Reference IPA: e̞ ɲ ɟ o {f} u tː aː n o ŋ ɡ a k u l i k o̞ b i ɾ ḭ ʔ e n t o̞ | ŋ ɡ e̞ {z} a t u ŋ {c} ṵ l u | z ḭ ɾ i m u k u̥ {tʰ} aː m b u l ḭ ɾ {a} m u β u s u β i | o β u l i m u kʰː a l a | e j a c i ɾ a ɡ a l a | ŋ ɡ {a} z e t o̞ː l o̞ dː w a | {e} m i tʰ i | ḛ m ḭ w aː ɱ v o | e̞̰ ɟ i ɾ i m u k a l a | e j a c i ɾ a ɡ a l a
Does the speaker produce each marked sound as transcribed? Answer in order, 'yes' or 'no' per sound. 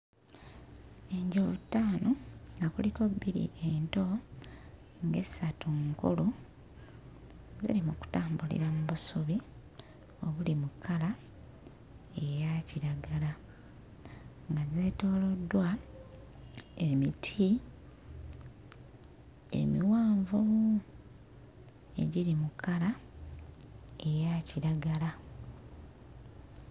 no, no, no, no, yes, yes, yes

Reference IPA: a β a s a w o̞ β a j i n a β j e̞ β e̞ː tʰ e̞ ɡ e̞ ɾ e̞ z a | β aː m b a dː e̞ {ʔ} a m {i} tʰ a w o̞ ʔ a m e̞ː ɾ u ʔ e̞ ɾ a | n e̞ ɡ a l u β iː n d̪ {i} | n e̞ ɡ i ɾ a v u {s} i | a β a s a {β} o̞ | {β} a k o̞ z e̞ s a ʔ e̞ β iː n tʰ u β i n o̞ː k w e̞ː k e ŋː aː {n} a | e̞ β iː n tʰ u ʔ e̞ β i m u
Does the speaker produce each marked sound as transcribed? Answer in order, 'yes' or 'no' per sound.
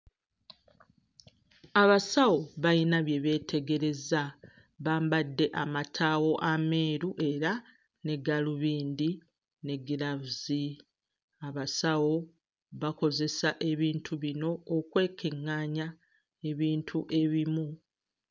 yes, no, yes, no, no, yes, no

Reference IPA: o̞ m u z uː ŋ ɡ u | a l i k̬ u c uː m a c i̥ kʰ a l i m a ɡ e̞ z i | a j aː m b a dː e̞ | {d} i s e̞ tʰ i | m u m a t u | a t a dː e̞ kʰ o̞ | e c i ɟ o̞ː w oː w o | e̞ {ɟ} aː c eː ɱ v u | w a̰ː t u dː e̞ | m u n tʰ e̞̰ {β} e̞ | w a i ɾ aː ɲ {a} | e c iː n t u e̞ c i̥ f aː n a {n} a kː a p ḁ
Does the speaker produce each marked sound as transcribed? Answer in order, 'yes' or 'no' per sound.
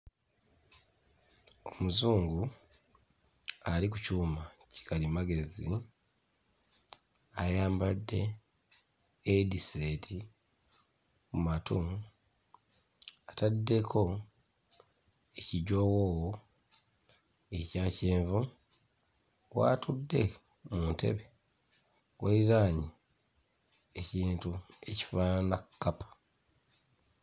yes, no, yes, no, yes

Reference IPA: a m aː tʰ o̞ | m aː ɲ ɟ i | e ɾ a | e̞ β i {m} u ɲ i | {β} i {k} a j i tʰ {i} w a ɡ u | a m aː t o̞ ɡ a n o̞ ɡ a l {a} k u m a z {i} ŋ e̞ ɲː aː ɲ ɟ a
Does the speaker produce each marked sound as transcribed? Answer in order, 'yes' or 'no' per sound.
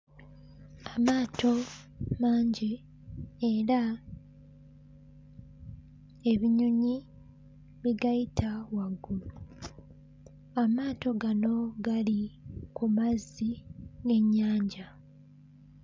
no, yes, no, no, no, yes

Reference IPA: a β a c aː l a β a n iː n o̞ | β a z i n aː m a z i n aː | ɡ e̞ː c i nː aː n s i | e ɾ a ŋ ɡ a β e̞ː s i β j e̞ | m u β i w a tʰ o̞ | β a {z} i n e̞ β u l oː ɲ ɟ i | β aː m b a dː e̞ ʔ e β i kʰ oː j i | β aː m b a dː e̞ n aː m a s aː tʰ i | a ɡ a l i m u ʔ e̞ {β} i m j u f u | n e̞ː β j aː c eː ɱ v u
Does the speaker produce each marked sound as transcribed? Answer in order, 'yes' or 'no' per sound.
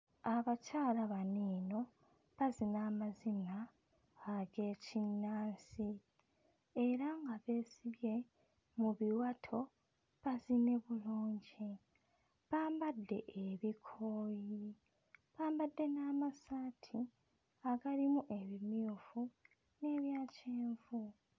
yes, yes

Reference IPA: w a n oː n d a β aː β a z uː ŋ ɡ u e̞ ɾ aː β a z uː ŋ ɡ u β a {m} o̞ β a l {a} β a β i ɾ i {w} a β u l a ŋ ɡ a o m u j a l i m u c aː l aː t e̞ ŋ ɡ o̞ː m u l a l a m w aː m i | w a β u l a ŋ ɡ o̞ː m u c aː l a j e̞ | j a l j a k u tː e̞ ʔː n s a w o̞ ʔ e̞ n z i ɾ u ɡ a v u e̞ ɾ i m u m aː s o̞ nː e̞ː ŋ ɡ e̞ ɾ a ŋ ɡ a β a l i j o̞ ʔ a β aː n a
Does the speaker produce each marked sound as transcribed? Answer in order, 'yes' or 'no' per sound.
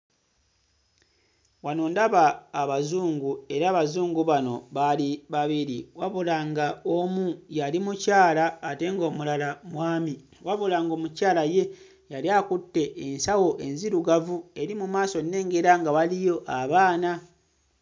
no, no, yes

